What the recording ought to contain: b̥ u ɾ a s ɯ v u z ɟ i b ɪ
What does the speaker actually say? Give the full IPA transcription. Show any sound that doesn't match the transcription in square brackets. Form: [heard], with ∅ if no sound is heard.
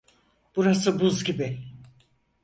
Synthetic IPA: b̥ u ɾ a s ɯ [b] u z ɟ i b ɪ